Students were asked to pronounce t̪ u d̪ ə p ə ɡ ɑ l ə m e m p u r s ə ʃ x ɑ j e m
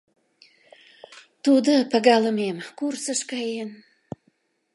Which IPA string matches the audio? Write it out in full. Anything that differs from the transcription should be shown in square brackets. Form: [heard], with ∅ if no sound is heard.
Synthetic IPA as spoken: t̪ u d̪ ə p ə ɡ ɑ l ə m e m [k] u r s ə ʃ [k] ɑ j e [n]